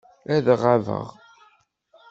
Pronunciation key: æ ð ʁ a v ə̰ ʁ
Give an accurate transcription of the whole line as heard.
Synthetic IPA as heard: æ ð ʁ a v ə̰ ʁ